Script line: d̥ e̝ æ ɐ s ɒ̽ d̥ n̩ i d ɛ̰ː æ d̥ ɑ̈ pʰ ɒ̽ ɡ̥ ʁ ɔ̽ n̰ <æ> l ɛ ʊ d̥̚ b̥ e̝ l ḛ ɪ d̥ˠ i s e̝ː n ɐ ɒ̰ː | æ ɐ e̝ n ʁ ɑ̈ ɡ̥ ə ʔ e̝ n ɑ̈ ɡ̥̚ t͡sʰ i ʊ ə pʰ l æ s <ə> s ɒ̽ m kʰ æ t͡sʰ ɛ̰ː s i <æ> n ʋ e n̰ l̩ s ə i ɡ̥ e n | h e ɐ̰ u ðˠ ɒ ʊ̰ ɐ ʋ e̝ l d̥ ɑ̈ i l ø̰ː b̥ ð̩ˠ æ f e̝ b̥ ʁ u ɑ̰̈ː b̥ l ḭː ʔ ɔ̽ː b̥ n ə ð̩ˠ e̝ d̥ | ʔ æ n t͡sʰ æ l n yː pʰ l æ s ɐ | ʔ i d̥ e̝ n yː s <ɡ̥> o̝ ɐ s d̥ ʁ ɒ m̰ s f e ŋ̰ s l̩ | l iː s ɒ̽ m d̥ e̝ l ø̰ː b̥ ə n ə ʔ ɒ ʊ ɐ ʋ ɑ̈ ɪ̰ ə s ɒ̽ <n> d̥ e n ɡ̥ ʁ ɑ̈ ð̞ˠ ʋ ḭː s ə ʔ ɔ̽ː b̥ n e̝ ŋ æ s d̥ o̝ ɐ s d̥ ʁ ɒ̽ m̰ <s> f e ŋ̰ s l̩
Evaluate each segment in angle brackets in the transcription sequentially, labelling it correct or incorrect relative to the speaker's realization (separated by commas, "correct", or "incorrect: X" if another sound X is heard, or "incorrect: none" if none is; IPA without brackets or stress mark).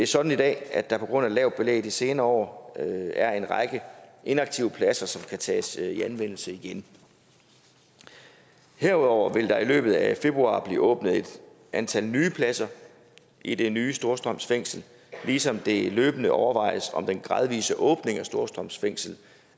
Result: correct, incorrect: ɐ, correct, incorrect: d̥, incorrect: m, correct